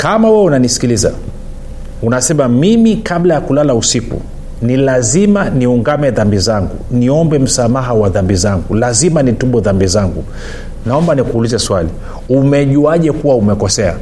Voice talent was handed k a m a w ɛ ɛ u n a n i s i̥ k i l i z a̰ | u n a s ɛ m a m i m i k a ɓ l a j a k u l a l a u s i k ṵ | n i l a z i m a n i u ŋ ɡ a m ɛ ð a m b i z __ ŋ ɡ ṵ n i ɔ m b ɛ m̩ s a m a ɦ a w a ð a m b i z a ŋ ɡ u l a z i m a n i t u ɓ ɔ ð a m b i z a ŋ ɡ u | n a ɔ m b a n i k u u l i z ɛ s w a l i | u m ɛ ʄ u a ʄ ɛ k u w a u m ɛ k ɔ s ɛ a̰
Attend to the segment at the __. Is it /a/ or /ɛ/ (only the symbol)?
a